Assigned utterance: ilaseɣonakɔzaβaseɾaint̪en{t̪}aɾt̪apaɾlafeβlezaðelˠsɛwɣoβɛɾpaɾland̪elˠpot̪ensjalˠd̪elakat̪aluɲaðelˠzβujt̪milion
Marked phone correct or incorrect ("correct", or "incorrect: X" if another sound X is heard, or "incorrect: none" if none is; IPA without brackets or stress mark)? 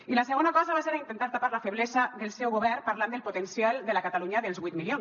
correct